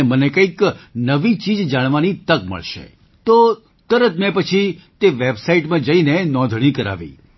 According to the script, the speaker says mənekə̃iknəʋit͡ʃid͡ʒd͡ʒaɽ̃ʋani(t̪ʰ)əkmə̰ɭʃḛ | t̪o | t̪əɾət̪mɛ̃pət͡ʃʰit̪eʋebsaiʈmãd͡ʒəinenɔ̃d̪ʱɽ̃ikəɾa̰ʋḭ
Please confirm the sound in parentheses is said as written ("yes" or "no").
no